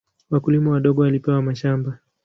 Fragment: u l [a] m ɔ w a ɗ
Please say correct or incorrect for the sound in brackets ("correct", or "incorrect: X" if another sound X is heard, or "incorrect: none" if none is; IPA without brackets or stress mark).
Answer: incorrect: i